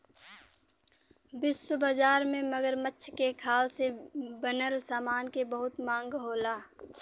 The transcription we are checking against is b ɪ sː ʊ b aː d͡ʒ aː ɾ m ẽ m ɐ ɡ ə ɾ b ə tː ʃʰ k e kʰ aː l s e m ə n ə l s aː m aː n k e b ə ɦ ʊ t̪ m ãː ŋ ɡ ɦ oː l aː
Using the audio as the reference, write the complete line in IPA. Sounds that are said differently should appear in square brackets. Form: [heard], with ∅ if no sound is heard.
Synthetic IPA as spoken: b ɪ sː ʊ b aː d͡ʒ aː ɾ m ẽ m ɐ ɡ ə ɾ [m] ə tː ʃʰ k e kʰ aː l s e [b] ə n ə l s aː m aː n k e b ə ɦ ʊ t̪ m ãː ŋ ɡ ɦ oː l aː